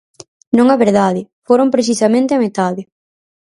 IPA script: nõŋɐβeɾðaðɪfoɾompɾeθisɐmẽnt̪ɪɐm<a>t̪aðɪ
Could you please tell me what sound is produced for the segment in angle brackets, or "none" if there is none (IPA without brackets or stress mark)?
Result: e